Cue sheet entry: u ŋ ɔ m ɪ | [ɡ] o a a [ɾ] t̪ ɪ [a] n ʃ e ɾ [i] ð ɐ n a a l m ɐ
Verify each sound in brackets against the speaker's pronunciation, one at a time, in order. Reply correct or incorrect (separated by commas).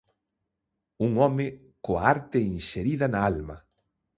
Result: incorrect, correct, incorrect, correct